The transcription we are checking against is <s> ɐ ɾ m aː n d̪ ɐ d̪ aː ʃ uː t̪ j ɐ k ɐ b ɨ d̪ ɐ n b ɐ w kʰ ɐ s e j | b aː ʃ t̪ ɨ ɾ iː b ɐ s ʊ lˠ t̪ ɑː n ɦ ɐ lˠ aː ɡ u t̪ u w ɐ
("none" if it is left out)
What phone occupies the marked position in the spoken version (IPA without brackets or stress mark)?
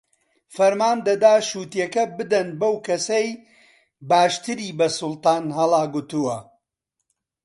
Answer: f